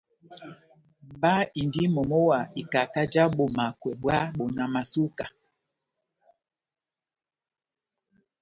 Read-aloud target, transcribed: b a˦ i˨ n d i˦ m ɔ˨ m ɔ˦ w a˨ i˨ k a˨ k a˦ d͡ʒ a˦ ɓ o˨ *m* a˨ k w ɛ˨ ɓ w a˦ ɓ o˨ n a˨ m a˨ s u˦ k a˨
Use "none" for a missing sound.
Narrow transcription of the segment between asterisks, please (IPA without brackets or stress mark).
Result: m